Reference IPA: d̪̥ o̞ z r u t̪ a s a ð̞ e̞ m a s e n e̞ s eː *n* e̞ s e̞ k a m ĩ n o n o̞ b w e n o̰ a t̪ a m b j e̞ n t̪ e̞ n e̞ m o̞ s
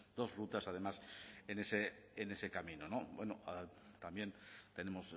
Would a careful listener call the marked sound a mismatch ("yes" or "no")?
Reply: no